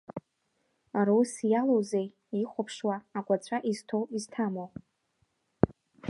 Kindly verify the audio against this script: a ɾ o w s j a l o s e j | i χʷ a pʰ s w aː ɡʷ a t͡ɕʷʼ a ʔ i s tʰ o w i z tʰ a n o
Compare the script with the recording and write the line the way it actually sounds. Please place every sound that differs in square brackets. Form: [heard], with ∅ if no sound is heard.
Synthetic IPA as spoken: a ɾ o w s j a l o [z] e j | i χʷ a pʰ [ʂ] w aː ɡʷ a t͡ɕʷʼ a ʔ i [z] tʰ o w i z tʰ a [m] o